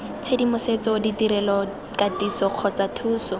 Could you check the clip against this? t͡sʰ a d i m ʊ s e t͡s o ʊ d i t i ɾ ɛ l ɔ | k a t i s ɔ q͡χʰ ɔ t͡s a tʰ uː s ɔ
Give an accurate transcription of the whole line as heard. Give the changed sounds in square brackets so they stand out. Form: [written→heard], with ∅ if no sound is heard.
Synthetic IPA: t͡sʰ [a→e] d i m ʊ s e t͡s [o→ɔ] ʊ d i t i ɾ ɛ l ɔ | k a t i s ɔ q͡χʰ ɔ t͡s a tʰ uː s ɔ